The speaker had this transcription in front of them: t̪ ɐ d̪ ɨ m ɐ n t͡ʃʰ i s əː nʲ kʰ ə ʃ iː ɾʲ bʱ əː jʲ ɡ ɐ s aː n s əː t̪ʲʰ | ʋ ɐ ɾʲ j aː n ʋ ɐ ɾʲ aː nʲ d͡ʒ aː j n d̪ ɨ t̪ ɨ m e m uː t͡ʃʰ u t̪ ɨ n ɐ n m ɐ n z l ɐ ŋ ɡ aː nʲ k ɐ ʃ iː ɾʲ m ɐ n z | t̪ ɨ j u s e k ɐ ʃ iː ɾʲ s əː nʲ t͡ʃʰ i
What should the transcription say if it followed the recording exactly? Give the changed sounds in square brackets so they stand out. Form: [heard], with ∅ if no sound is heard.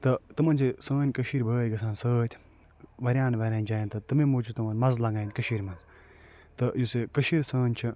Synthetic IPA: t̪ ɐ [t̪] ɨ m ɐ n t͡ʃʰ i s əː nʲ [k] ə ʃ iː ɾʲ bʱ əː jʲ ɡ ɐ s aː n s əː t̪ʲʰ | ʋ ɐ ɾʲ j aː n ʋ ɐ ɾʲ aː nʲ d͡ʒ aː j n [t̪] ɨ t̪ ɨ m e m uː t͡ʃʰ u t̪ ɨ [m] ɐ n m ɐ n z l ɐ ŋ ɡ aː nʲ k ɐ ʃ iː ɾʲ m ɐ n z | t̪ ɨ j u s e k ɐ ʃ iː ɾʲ s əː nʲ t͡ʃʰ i